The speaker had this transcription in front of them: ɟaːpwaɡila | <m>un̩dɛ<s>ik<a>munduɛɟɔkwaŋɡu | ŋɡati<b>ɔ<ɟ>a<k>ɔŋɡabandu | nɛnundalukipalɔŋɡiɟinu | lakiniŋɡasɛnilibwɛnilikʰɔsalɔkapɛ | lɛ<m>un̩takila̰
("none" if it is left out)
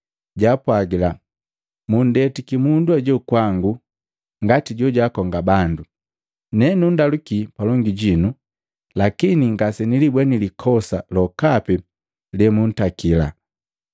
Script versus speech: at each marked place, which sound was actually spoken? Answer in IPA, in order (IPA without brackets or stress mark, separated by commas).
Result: m, t, i, ɟ, ɟ, k, m